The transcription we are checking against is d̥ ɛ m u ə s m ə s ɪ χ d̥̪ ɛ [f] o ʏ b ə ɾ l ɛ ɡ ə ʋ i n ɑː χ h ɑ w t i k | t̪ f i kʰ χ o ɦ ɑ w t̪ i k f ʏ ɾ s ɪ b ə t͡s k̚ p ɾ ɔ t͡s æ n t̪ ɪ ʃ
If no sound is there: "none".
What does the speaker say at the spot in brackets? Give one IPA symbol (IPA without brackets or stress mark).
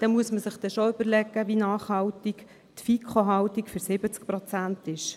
ʃ